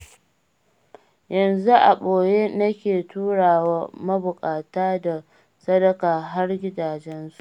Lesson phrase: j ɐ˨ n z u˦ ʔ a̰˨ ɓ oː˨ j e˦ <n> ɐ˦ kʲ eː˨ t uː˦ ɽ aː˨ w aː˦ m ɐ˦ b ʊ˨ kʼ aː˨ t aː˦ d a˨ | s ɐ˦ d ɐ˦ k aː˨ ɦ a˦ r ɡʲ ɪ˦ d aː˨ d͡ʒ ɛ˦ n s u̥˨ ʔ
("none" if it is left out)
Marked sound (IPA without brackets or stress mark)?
n